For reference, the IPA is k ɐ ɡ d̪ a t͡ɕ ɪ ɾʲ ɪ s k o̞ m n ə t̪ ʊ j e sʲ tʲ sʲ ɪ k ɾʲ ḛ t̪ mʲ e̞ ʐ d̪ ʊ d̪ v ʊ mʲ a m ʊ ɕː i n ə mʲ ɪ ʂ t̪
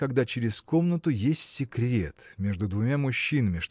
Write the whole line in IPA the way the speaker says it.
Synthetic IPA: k ɐ ɡ d̪ a t͡ɕ ɪ ɾʲ ɪ s k o̞ m n ə t̪ ʊ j e sʲ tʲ sʲ ɪ k ɾʲ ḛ t̪ mʲ e̞ ʐ d̪ ʊ d̪ v ʊ mʲ a m ʊ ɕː i n ə mʲ ɪ ʂ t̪